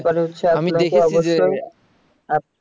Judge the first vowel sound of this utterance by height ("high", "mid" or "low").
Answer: low